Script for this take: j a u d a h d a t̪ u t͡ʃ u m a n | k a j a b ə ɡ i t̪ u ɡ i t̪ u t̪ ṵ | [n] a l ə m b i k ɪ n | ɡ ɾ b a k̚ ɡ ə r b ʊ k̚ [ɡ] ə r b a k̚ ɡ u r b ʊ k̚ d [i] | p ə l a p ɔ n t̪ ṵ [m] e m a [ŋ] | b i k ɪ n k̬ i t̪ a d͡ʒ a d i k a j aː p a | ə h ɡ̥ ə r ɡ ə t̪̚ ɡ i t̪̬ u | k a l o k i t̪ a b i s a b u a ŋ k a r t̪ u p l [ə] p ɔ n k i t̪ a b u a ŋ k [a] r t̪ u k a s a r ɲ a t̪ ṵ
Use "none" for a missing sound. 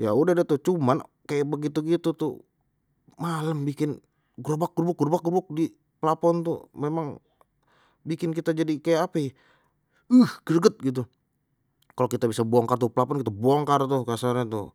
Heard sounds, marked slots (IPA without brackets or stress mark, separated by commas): m, ɡ, i, m, ŋ, a, a